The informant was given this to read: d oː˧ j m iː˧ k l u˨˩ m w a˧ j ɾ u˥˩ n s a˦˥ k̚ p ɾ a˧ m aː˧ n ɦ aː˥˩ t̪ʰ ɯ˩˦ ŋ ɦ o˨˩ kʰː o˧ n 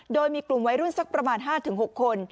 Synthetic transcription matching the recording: d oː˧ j m iː˧ k l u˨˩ m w a˦˥ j ɾ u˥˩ n s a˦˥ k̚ p ɾ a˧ m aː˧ n ɦ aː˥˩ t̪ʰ ɯ˩˦ ŋ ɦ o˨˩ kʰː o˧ n